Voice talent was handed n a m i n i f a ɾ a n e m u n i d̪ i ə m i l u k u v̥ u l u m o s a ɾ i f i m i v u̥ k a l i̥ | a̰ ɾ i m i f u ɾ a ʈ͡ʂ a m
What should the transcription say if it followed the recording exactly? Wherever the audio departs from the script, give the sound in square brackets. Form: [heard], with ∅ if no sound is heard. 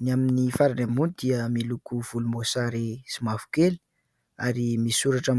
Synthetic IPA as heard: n a m i n i f a ɾ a n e m u n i d̪ i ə m i l u k u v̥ u l u m o s a ɾ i [s] i m [a] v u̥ k [e] l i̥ | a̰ ɾ i m i [s] u ɾ a ʈ͡ʂ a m